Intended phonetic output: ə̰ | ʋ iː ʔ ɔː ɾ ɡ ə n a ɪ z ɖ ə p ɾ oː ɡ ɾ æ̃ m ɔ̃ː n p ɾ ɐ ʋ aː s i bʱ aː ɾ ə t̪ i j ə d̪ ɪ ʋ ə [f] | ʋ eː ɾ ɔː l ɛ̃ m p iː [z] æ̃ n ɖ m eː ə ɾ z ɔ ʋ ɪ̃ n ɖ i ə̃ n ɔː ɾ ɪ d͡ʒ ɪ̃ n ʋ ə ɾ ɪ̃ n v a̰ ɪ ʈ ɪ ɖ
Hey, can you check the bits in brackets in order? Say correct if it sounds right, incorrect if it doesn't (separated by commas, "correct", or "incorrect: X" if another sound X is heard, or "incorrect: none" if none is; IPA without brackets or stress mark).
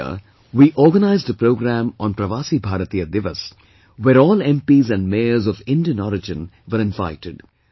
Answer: incorrect: s, correct